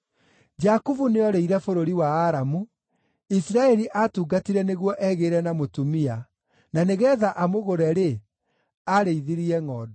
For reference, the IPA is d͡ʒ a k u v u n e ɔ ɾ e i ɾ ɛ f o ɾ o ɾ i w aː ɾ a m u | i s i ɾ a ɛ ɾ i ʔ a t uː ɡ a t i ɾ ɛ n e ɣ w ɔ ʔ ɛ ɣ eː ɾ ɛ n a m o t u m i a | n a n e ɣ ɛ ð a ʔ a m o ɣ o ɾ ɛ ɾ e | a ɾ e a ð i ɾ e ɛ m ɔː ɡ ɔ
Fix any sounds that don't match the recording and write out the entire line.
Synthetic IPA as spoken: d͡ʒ a k u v u n e ɔ ɾ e i ɾ ɛ f o ɾ o ɾ i w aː ɾ a m u | i s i ɾ a ɛ ɾ i ʔ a t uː ɡ a t i ɾ ɛ n e ɣ w ɔ ʔ ɛ ɣ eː ɾ ɛ n a m o t u m i a | n a n e ɣ ɛ ð a ʔ a m o ɣ o ɾ ɛ ɾ e | a ɾ e i ð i ɾ i ɛ ŋ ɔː d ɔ